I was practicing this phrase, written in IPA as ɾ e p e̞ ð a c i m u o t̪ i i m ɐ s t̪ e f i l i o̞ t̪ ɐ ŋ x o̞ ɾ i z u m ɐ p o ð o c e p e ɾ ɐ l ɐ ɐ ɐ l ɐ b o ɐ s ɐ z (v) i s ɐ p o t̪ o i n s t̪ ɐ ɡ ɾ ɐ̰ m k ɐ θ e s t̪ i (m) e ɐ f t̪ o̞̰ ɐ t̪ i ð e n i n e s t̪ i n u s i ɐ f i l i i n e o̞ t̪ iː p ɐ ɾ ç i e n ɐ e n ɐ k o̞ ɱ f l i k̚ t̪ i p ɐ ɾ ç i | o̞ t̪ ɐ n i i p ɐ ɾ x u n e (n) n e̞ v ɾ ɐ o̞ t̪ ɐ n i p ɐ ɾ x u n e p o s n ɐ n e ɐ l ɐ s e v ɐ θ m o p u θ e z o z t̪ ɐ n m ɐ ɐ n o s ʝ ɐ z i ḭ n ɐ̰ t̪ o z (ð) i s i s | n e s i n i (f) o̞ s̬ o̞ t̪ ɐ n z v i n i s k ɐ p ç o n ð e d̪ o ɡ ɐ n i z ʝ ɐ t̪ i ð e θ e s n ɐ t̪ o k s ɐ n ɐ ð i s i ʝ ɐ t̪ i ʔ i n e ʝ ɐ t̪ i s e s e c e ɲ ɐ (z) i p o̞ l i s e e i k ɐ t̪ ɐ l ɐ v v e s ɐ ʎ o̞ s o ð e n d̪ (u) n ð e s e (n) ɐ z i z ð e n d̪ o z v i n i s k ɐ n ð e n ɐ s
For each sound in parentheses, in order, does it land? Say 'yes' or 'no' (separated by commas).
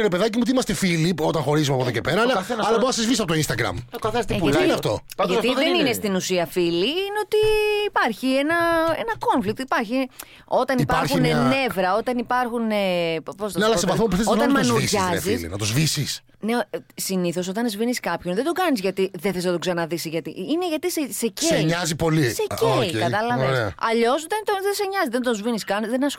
yes, no, yes, no, no, yes, no, no